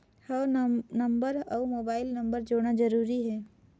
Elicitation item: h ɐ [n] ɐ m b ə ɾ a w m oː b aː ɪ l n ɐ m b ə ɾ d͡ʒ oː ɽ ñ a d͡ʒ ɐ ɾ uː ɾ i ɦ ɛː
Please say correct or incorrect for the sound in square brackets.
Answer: correct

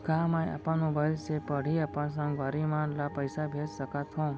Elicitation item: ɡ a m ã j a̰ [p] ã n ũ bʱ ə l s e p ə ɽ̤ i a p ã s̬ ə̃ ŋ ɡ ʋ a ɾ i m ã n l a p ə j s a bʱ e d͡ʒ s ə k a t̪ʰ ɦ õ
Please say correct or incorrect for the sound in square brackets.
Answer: correct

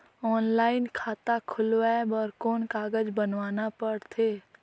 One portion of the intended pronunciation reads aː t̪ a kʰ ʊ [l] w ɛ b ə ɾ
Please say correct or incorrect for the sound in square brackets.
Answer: correct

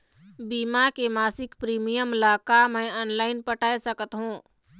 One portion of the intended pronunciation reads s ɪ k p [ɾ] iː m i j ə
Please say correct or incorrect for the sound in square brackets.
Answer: correct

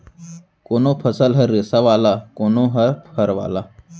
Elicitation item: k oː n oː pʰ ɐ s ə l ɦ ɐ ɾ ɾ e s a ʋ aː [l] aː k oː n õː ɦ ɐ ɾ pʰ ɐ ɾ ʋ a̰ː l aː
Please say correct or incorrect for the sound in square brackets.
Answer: correct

